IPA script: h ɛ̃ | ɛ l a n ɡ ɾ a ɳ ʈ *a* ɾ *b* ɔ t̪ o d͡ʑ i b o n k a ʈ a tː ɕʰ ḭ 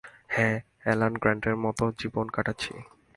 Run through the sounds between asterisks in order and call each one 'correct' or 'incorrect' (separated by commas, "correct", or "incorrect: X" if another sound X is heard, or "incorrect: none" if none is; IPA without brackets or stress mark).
incorrect: e, incorrect: m